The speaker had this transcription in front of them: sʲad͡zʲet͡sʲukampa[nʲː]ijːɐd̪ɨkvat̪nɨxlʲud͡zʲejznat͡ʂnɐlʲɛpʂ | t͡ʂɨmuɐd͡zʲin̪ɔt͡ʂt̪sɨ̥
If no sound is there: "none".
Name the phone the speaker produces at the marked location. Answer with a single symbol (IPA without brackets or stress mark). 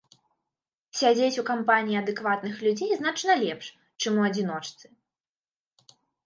nʲ